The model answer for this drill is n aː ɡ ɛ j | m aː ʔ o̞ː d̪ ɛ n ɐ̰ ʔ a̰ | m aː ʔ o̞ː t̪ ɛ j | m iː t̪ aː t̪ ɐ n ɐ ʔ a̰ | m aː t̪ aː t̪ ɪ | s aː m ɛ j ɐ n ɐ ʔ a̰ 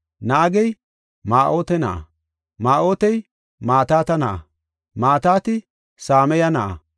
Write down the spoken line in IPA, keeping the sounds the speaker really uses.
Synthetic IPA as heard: n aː ɡ ɛ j | m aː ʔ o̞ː t̪ ɛ n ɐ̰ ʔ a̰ | m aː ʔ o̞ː t̪ ɛ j | m aː t̪ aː t̪ ɐ n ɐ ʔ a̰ | m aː t̪ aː t̪ ɪ | s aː m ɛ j ɐ n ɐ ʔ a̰